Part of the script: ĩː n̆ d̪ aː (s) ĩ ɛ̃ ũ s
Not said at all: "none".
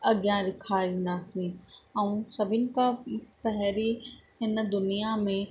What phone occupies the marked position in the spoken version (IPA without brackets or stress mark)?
s